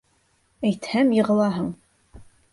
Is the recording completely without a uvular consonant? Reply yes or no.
no